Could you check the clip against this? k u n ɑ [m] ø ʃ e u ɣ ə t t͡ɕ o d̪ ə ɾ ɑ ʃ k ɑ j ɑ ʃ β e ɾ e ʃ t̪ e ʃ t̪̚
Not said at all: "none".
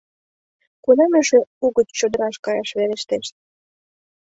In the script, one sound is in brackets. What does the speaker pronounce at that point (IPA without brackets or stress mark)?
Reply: m